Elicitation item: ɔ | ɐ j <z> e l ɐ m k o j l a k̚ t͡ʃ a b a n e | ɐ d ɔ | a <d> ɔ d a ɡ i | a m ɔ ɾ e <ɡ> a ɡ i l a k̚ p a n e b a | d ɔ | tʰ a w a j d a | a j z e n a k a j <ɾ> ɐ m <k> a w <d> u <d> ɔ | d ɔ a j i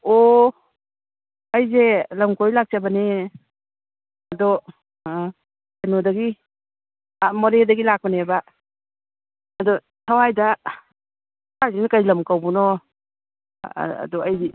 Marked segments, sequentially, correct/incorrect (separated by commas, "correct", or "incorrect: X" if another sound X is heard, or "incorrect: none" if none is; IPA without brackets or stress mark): correct, incorrect: n, incorrect: d, incorrect: l, correct, incorrect: b, incorrect: n